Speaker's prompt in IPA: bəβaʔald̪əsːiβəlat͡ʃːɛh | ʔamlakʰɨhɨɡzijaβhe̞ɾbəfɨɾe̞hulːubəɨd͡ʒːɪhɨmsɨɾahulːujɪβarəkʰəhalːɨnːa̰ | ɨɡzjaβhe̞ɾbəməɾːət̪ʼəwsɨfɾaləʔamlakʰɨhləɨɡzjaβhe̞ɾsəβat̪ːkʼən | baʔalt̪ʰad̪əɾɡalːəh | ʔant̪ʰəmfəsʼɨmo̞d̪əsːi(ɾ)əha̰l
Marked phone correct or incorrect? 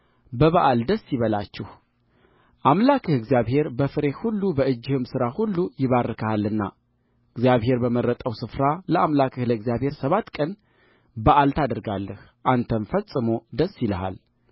incorrect